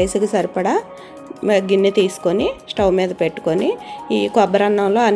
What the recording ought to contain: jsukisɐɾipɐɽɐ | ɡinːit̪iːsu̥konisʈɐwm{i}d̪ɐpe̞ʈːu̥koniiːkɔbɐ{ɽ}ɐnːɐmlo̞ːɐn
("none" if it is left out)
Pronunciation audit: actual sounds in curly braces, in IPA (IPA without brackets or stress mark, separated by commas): iː, ɾ